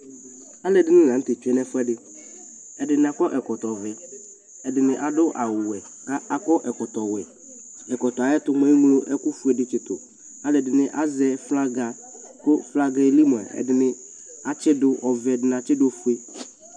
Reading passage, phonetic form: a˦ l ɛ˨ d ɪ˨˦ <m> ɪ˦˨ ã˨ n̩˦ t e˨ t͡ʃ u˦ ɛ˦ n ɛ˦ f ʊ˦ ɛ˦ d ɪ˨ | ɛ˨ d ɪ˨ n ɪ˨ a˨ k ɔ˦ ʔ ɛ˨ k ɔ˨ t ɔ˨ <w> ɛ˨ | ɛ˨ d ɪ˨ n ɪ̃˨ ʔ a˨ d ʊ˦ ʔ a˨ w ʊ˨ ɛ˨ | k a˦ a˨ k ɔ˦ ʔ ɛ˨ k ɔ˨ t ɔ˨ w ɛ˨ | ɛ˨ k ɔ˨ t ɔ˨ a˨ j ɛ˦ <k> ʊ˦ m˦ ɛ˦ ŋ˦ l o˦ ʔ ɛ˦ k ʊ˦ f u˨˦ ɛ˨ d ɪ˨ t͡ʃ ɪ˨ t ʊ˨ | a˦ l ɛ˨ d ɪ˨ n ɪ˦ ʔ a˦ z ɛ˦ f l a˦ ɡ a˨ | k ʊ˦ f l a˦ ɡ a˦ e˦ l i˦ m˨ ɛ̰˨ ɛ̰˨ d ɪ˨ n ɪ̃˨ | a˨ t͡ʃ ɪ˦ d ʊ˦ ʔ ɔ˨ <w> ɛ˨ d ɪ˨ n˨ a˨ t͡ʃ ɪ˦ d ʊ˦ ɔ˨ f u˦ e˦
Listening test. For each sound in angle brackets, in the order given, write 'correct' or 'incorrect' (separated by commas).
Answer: incorrect, incorrect, incorrect, incorrect